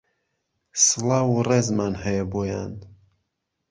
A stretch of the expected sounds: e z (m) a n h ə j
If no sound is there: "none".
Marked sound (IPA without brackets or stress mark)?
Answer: m